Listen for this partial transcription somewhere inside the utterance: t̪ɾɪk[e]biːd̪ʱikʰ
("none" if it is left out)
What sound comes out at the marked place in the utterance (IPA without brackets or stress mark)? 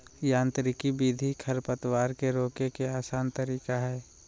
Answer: i